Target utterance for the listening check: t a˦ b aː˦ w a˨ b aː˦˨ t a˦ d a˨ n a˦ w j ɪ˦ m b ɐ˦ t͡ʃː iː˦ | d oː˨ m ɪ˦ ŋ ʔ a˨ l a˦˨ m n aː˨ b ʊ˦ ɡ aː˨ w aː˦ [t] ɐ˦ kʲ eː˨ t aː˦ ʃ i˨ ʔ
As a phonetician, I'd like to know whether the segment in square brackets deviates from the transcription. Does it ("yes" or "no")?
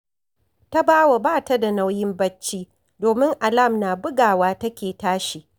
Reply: no